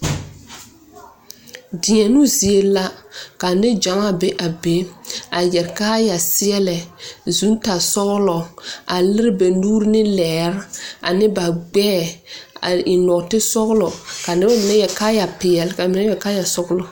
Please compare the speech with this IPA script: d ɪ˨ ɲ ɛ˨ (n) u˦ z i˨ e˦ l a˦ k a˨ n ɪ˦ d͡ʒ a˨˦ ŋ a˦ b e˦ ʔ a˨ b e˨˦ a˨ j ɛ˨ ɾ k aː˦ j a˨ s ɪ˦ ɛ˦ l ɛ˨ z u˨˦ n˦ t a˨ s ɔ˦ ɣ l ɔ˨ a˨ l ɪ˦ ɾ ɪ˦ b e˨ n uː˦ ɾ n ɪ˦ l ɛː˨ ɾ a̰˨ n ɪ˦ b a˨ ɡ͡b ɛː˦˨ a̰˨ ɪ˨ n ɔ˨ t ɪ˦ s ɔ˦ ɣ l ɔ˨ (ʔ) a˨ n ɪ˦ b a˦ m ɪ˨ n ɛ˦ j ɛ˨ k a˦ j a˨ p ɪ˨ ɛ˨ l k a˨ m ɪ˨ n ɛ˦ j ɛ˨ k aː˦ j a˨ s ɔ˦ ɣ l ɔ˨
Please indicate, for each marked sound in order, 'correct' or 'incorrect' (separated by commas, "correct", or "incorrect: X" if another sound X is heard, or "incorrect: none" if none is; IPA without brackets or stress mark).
correct, incorrect: k